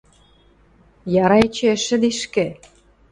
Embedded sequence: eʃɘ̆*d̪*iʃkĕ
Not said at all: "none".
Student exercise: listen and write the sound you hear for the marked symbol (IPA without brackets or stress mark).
d̪